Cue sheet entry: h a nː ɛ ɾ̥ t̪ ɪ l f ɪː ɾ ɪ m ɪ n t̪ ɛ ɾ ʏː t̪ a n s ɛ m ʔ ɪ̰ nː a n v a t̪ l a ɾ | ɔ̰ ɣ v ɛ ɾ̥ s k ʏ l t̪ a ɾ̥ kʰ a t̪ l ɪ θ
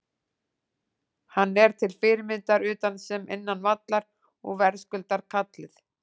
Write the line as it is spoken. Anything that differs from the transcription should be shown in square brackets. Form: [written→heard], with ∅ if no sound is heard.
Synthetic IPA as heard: h a nː ɛ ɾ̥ [t̪→t̪ʰ] ɪ l f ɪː ɾ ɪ m ɪ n t̪ [ɛ→a] ɾ ʏː t̪ a n s ɛ m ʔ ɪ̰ nː a n v a t̪ l a ɾ | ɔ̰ ɣ v ɛ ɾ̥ s k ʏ l t̪ a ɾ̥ kʰ a t̪ l ɪ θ